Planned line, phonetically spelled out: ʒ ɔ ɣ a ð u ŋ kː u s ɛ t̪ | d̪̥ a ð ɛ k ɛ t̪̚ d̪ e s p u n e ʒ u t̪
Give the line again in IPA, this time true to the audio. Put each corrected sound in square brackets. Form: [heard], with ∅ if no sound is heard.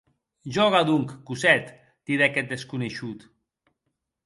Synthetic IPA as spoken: ʒ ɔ ɣ a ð u ŋ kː u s ɛ t̪ | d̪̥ [i] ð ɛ k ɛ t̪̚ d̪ e s [k] u n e [ʃ] u t̪